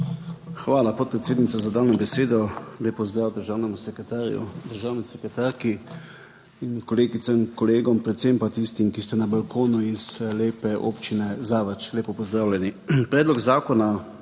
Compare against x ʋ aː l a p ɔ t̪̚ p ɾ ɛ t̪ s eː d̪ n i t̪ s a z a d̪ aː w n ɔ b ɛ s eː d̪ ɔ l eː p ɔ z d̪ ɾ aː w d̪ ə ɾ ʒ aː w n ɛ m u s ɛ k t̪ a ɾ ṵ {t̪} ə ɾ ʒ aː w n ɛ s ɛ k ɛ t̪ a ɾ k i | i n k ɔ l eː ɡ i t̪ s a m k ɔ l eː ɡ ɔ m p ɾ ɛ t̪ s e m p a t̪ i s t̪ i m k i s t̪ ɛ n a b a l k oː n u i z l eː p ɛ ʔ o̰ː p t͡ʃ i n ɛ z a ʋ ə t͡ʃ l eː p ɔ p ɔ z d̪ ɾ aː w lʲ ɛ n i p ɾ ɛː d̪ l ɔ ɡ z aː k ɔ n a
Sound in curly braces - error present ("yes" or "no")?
yes